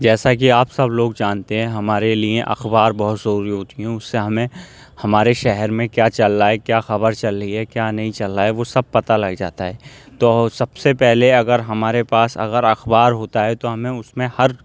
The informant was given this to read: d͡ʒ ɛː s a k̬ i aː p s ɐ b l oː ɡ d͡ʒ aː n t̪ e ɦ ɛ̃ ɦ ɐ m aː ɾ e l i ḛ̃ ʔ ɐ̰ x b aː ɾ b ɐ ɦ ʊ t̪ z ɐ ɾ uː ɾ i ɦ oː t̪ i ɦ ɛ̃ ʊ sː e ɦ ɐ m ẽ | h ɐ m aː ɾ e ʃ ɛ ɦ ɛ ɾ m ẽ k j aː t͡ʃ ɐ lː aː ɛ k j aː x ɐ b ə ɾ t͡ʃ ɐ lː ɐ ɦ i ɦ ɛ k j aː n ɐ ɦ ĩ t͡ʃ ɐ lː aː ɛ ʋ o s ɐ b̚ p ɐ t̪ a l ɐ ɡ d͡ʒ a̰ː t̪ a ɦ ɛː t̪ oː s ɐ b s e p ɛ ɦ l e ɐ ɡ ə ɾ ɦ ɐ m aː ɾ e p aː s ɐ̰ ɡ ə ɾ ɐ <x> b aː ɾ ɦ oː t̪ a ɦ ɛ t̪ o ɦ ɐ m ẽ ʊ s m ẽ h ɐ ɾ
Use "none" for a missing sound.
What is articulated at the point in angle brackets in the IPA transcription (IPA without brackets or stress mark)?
x